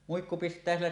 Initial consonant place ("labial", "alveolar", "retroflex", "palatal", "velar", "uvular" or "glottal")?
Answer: labial